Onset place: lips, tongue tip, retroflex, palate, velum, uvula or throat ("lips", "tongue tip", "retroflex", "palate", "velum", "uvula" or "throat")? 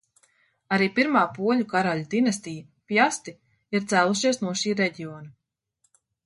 tongue tip